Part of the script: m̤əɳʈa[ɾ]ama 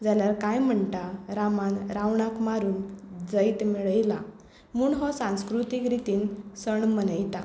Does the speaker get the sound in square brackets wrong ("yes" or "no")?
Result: no